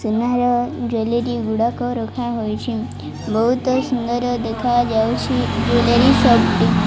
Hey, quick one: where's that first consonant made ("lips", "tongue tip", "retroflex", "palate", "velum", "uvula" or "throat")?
tongue tip